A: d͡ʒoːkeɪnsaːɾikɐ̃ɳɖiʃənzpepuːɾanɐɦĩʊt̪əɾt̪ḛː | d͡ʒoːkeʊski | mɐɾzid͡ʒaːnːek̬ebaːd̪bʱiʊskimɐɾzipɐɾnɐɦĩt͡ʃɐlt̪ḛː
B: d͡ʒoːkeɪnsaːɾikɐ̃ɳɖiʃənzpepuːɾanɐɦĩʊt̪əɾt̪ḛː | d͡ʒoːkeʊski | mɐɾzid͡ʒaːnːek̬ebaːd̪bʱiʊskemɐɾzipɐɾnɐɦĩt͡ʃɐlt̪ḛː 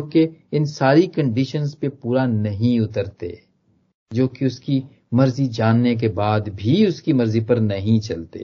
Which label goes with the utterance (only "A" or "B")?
A